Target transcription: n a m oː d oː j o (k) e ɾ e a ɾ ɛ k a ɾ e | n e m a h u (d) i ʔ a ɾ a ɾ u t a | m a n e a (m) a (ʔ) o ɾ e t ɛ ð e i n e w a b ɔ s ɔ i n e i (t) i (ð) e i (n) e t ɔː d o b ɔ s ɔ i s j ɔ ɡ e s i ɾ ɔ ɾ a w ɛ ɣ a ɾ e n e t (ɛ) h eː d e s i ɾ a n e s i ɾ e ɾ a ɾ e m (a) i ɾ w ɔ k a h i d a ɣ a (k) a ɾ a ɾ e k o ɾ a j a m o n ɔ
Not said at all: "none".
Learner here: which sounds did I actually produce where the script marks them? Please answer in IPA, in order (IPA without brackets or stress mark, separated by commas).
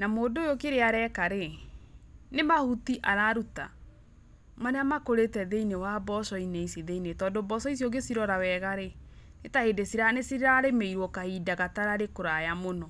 k, t, m, k, s, ð, n, a, e, t